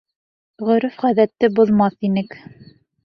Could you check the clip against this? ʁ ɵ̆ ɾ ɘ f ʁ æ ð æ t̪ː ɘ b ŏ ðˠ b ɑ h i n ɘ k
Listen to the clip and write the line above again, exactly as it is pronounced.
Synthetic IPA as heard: ʁ ɵ̆ ɾ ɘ f ʁ æ ð æ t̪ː ɘ b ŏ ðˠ m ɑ θ i n ɘ k